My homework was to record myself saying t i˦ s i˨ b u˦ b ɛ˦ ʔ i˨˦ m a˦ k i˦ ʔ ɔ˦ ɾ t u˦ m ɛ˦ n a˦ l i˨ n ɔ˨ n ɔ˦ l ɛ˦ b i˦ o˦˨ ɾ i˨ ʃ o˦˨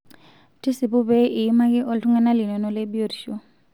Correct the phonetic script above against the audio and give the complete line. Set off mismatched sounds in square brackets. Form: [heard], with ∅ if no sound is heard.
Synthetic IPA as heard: t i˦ s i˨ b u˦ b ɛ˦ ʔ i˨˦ m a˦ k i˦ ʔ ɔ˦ [l] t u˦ [ŋ] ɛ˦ n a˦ l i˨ n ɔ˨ n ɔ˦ l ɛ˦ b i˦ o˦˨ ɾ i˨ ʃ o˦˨